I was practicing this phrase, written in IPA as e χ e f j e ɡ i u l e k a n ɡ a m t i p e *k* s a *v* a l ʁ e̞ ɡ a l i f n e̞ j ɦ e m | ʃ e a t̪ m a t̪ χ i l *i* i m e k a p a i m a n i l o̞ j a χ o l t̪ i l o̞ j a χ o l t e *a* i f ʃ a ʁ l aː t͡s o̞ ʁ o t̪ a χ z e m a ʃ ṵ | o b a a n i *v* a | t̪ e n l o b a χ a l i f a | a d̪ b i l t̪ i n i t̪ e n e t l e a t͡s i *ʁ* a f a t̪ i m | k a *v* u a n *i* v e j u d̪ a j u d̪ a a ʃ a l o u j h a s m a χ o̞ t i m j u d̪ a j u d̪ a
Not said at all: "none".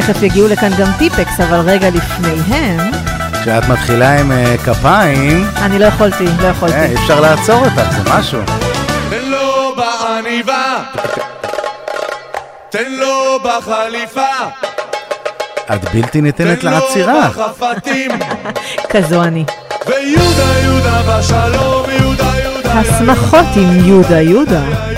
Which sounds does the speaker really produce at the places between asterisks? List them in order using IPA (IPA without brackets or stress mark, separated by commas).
k, v, a, i, v, ʁ, z, i